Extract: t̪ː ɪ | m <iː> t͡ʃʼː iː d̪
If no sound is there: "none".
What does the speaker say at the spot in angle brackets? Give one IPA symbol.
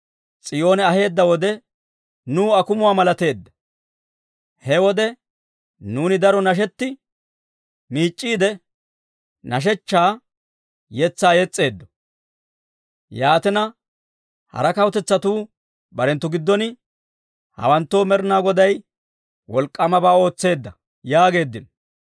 iː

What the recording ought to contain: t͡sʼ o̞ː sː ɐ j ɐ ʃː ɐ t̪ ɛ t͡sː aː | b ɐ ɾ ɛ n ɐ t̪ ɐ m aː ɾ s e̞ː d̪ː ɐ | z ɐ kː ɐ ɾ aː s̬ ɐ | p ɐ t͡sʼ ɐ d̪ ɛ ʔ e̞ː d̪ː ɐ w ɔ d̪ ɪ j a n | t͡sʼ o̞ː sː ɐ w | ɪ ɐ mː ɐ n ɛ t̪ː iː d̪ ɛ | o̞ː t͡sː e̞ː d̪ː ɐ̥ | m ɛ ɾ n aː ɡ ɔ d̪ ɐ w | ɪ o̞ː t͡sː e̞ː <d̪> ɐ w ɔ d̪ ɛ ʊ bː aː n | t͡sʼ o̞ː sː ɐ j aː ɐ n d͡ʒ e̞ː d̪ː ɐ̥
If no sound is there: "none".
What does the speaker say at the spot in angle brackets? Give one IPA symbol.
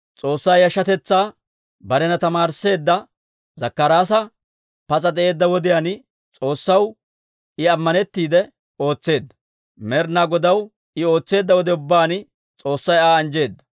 d̪ː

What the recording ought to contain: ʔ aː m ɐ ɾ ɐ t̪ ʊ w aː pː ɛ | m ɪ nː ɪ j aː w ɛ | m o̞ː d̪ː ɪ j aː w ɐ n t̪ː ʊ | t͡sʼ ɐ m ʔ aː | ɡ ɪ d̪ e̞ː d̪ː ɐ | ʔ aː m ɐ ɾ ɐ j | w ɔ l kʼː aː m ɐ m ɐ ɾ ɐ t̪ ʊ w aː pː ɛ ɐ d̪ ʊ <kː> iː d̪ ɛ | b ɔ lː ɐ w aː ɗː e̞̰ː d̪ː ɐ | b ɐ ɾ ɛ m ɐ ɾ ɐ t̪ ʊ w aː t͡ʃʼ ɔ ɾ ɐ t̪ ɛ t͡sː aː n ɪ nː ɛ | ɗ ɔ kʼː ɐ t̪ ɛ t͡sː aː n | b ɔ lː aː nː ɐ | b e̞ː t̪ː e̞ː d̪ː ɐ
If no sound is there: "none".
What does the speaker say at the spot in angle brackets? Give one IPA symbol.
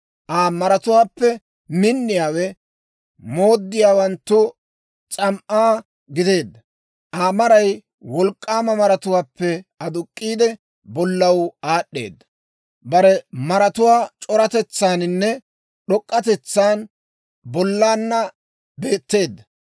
kʼː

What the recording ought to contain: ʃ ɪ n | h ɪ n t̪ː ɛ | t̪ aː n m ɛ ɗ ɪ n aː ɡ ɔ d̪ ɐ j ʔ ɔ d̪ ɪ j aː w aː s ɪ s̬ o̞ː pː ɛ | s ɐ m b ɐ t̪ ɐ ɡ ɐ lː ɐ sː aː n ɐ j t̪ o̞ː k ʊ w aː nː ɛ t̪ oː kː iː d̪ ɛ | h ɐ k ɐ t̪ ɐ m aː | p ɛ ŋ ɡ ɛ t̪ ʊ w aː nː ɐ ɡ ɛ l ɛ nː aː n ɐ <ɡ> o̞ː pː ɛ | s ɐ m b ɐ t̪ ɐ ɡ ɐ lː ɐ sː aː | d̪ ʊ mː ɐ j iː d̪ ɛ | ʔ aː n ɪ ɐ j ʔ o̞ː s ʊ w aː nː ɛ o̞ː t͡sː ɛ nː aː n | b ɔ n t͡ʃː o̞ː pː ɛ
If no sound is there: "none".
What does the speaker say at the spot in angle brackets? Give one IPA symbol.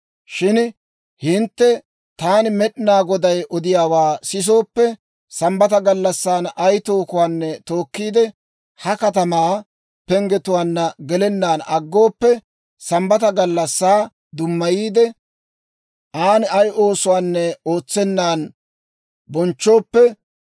ɡː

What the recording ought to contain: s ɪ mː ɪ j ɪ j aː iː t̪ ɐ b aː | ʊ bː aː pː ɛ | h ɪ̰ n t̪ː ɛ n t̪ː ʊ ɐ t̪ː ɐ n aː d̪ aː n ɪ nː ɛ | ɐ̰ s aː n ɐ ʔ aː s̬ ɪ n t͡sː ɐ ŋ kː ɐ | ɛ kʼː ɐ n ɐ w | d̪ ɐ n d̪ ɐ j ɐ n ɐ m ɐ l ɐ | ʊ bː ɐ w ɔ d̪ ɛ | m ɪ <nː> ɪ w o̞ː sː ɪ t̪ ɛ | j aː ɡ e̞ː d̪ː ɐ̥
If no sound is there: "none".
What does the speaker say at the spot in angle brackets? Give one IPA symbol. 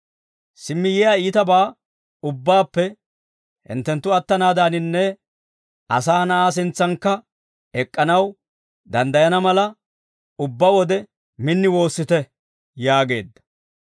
nː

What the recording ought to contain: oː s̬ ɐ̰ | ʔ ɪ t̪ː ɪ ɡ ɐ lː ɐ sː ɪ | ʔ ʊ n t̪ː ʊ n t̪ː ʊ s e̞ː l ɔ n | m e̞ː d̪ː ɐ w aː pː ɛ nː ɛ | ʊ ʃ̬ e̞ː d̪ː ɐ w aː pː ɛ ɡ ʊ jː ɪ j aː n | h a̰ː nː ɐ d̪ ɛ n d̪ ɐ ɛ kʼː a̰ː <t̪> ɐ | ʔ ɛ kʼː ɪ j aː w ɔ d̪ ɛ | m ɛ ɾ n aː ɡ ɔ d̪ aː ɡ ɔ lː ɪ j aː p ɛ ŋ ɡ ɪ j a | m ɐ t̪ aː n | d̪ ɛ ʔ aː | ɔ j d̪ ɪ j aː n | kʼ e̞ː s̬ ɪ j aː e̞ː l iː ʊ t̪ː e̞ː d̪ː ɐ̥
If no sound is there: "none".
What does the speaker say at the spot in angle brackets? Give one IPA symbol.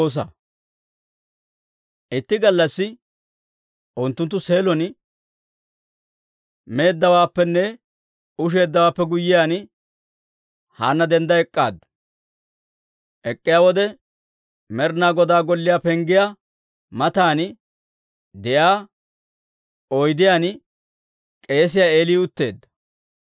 d̪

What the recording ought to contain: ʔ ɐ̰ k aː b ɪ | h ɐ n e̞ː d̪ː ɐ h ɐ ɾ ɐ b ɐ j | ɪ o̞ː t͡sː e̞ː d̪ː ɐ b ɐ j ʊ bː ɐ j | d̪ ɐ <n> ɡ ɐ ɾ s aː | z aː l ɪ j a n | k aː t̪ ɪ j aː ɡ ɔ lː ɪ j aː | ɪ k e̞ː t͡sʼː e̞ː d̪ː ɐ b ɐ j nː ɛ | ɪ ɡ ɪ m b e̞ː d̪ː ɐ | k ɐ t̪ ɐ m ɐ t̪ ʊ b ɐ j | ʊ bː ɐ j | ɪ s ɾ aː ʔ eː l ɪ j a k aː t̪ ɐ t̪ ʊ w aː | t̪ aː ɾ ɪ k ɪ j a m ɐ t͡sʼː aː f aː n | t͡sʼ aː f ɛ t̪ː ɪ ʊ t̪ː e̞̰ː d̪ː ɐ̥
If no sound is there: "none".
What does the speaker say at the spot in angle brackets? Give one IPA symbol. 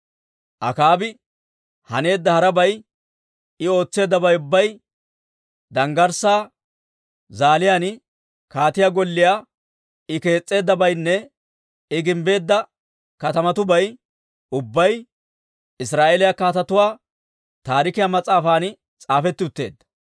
ŋ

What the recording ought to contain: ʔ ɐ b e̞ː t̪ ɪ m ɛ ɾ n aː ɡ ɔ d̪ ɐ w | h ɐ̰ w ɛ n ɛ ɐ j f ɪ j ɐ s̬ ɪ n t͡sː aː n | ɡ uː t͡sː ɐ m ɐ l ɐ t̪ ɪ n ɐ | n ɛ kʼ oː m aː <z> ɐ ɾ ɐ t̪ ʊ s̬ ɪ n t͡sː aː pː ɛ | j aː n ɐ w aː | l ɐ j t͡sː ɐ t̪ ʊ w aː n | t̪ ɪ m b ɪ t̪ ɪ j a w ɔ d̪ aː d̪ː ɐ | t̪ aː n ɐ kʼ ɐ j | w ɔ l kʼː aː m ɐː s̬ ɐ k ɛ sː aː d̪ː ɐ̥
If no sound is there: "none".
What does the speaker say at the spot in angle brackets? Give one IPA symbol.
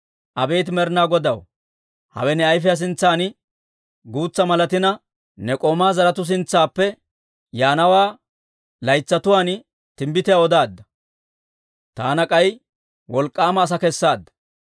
z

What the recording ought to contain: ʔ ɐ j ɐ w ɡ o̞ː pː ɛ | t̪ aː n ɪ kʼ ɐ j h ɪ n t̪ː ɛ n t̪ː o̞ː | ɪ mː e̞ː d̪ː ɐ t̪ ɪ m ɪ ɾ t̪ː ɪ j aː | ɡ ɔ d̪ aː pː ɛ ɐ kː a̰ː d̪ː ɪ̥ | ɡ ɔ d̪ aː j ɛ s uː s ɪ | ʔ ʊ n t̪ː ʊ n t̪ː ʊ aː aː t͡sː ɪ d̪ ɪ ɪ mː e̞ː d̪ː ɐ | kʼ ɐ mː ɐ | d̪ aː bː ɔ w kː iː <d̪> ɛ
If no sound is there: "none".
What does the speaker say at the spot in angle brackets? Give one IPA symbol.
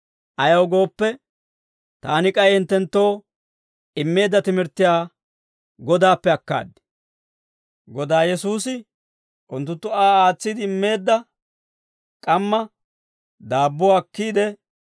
d̪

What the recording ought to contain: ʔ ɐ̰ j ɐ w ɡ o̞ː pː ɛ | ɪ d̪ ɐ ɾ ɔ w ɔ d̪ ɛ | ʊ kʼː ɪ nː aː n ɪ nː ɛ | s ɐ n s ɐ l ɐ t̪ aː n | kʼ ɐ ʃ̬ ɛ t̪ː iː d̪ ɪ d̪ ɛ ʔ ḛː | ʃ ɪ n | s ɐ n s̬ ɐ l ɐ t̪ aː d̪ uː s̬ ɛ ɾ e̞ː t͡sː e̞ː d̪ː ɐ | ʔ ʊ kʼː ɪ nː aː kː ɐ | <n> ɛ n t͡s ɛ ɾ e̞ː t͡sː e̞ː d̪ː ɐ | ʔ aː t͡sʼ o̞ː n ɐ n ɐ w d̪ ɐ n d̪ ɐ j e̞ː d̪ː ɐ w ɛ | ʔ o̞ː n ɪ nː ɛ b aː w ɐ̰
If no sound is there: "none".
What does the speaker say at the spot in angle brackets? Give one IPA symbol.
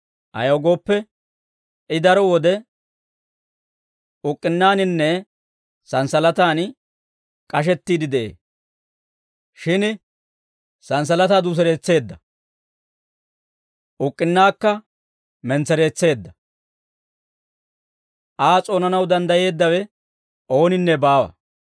m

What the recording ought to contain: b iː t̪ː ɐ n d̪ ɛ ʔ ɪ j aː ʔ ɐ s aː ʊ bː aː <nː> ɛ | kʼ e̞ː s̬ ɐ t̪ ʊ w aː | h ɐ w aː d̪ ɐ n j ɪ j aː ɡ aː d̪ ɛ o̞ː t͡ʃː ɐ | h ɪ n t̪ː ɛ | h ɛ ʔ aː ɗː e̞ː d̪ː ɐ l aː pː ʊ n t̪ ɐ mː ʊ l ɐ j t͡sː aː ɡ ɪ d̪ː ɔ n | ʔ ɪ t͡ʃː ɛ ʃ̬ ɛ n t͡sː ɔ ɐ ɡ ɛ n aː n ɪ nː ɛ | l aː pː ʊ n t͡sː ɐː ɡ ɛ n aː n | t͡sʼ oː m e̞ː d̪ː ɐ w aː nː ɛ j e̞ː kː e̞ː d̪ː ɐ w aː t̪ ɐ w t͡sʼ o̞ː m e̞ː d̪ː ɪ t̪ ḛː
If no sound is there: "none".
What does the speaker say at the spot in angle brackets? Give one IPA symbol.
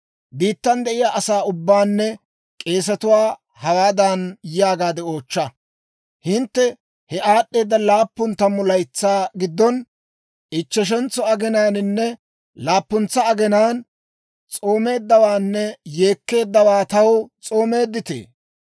nː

